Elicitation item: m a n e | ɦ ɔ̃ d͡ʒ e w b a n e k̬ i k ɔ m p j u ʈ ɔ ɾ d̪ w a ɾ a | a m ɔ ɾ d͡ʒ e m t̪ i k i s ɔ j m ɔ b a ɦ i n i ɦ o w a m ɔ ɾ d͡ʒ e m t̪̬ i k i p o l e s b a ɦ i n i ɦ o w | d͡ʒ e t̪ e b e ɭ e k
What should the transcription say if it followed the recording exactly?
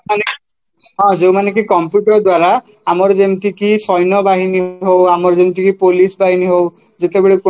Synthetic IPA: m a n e | ɦ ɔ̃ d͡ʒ e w m a n e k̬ i k ɔ m p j u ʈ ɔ ɾ d̪ w a ɾ a | a m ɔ ɾ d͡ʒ e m t̪ i k i s ɔ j n ɔ b a ɦ i n i ɦ o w a m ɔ ɾ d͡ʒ e m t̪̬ i k i p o l i s b a ɦ i n i ɦ o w | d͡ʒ e t̪ e b e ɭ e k